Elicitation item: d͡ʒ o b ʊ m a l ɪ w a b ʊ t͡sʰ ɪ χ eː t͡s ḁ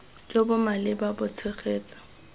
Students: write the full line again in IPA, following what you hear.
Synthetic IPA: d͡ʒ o b ʊ m a l ɪ b a b ʊ t͡sʰ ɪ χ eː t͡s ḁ